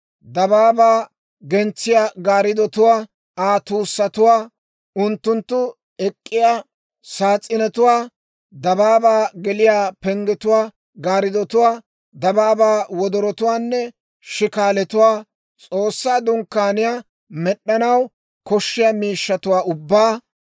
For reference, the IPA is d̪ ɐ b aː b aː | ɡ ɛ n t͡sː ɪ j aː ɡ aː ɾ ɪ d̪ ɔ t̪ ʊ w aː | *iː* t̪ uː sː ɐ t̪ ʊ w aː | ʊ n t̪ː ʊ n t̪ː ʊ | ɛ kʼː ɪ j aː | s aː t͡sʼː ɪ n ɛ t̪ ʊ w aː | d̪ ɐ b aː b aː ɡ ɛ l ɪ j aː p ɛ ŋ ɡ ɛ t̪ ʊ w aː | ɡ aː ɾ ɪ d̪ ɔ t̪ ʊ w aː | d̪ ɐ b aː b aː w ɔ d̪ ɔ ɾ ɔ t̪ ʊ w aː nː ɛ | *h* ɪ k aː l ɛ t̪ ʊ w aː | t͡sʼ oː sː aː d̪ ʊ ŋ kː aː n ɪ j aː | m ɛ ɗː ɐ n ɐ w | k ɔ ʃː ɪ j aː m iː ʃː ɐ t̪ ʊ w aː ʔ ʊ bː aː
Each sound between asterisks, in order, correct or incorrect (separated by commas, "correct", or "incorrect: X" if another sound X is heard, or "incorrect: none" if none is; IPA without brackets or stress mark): incorrect: aː, incorrect: ʃ